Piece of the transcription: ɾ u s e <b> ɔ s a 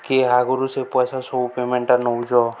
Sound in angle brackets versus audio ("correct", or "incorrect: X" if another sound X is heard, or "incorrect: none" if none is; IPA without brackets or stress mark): incorrect: p